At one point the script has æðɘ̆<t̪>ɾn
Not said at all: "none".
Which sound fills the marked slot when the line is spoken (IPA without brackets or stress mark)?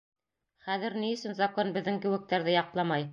none